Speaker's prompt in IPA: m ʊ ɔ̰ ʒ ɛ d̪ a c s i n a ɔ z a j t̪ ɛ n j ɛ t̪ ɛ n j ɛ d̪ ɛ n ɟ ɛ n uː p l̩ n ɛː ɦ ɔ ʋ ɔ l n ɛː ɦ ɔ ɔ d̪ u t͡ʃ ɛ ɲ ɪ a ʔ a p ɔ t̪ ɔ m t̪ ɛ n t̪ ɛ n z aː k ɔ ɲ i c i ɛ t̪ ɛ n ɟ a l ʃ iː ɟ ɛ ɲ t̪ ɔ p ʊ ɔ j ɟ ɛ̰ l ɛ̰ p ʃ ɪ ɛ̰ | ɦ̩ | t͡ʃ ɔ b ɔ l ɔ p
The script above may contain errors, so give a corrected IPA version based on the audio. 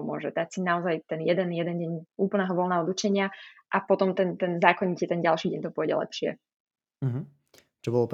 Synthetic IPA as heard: m ʊ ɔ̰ ʒ ɛ d̪ a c s i n a ɔ z a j t̪ ɛ n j ɛ d̪ ɛ n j ɛ d̪ ɛ n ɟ ɛ ɲ uː p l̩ n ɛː ɦ ɔ ʋ ɔ l n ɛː ɦ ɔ ɔ d̪ u t͡ʃ ɛ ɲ ɪ a ʔ a p ɔ t̪ ɔ m t̪ ɛ n t̪ ɛ n z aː k ɔ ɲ i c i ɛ t̪ ɛ n ɟ a l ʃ iː ɟ ɛ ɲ t̪ ɔ p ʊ ɔ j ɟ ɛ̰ l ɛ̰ p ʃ ɪ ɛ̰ | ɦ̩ | t͡ʃ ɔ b ɔ l ɔ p